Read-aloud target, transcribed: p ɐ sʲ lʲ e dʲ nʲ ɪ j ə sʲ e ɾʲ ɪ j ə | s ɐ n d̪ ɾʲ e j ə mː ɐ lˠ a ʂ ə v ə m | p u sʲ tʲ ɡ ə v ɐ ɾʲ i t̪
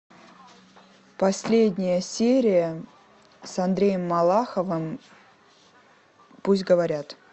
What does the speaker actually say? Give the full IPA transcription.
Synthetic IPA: p ɐ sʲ lʲ e dʲ nʲ ɪ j ə sʲ e ɾʲ ɪ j ə | s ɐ n d̪ ɾʲ e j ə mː ɐ lˠ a x ə v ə m | p u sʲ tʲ ɡ ə v ɐ ɾʲ a t̪

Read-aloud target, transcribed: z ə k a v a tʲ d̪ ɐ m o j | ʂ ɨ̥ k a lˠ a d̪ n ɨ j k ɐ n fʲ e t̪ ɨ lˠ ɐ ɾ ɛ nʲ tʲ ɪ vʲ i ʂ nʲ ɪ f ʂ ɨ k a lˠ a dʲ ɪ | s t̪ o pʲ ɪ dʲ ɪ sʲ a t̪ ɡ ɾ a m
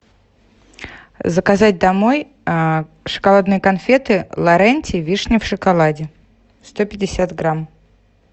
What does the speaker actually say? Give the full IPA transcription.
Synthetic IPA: z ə k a z a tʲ d̪ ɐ m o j | ʂ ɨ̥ k a lˠ a d̪ n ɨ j k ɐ n fʲ e t̪ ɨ lˠ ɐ ɾ ɛ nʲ tʲ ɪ vʲ i ʂ nʲ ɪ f ʂ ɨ k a lˠ a dʲ ɪ | s t̪ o pʲ ɪ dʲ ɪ sʲ a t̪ ɡ ɾ a m

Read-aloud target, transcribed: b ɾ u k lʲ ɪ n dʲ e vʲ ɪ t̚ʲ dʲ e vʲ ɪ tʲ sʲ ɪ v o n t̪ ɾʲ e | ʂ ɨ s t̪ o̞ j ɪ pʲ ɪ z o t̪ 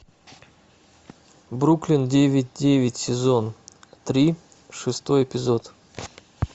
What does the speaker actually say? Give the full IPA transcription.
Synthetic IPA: b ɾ u k lʲ ɪ n dʲ e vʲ ɪ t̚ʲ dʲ e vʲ ɪ tʲ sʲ ɪ z o n t̪ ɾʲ i | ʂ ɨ s t̪ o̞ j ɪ pʲ ɪ z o t̪

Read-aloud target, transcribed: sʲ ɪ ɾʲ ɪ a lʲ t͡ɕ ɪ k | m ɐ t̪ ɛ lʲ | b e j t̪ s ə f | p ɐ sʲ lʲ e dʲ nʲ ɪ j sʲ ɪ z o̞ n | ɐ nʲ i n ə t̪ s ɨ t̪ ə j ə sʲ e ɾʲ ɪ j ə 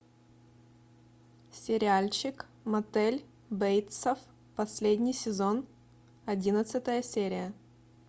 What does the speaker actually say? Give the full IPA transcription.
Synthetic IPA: sʲ ɪ ɾʲ ɪ a lʲ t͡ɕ ɪ k | m ɐ t̪ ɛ lʲ | b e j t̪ s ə f | p ɐ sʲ lʲ e dʲ nʲ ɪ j sʲ ɪ z o̞ n | ɐ dʲ i n ə t̪ s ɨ t̪ ə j ə sʲ e ɾʲ ɪ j ə

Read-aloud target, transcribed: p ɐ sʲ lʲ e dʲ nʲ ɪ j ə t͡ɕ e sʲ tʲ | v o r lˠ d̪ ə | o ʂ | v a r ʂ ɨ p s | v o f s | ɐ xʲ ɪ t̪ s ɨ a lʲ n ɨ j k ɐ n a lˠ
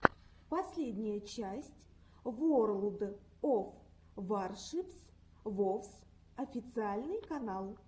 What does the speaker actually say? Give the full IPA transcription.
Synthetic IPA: p ɐ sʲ lʲ e dʲ nʲ ɪ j ə t͡ɕ æ sʲ tʲ | v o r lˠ d̪ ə | o f | v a r ʂ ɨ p s | v o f s | ɐ fʲ ɪ t̪ s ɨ a lʲ n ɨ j k ɐ n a lˠ

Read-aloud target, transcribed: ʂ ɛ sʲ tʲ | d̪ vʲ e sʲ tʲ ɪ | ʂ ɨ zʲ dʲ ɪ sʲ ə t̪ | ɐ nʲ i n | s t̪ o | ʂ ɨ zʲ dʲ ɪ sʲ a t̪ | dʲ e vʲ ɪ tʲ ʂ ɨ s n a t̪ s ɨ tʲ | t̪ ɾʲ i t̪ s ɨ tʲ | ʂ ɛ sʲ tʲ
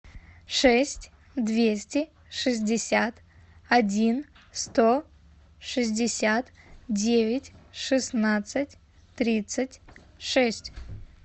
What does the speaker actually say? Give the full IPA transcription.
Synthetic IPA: ʂ ɛ sʲ tʲ | d̪ vʲ e sʲ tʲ ɪ | ʂ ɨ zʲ dʲ ɪ sʲ a t̪ | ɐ dʲ i n | s t̪ o | ʂ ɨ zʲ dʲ ɪ sʲ a t̪ | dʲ e vʲ ɪ tʲ ʂ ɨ s n a t̪ s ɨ tʲ | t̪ ɾʲ i t̪ s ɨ tʲ | ʂ ɛ sʲ tʲ

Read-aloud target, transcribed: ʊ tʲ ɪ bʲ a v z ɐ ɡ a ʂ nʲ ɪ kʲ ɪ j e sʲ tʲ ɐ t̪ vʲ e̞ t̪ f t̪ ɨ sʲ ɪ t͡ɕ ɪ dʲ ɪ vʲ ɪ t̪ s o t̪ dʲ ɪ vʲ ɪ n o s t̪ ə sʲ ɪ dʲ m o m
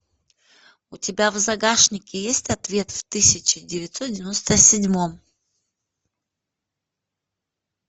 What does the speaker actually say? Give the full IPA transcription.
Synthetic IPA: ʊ tʲ ɪ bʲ a v z ɐ ɡ a ʂ nʲ ɪ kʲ ɪ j e sʲ tʲ ɐ t̪ vʲ e̞ t̪ f t̪ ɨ sʲ ɪ t͡ɕ ɪ dʲ ɪ vʲ ɪ t̪ s o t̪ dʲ ɪ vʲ ɪ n o s t̪ ə sʲ ɪ dʲ m o m

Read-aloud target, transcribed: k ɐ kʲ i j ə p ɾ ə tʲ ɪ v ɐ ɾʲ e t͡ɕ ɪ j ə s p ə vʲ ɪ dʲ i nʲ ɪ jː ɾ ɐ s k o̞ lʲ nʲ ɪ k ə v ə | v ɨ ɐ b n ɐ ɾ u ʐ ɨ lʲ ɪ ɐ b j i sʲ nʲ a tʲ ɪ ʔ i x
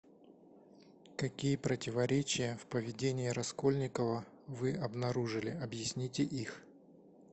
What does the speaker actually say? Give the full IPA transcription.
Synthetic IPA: k ɐ kʲ i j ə p ɾ ə tʲ ɪ v ɐ ɾʲ e t͡ɕ ɪ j ə f p ə vʲ ɪ dʲ e nʲ ɪ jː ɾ ɐ s k o̞ lʲ nʲ ɪ k ə v ə | v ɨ ɐ b n ɐ ɾ u ʐ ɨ lʲ ɪ ɐ b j ɪ sʲ nʲ i tʲ ɪ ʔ i x

